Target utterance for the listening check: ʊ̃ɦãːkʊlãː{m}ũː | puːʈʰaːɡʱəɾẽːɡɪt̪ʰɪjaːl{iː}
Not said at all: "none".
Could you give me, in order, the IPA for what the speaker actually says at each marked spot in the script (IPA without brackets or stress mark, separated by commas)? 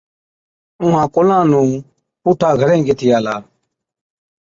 n, aː